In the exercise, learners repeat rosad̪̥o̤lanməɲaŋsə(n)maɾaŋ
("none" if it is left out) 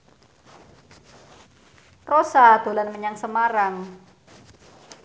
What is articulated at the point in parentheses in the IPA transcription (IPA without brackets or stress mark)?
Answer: none